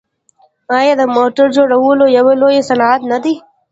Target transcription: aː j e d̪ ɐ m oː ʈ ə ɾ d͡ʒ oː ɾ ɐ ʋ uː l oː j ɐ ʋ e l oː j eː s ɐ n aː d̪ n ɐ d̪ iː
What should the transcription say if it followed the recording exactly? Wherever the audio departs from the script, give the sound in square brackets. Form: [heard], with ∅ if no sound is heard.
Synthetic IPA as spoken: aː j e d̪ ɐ m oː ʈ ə ɾ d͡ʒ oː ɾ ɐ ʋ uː l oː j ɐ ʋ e l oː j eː s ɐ n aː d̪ n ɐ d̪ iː